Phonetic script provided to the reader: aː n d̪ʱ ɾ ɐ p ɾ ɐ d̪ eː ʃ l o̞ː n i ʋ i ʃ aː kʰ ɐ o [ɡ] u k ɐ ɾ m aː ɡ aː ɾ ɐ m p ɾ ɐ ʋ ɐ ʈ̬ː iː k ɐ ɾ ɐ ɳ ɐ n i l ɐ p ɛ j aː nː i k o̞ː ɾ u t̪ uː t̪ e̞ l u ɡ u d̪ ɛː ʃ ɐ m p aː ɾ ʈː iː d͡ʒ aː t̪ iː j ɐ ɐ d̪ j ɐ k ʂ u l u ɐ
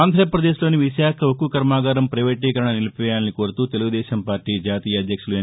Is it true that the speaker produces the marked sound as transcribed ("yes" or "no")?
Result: no